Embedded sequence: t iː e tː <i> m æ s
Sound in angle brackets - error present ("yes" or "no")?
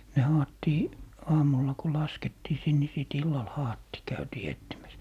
no